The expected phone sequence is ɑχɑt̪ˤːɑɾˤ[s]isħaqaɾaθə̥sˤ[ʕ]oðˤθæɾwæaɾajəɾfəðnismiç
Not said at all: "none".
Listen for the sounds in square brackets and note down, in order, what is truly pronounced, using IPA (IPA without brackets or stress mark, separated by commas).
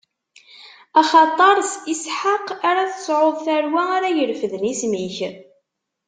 s, ʕ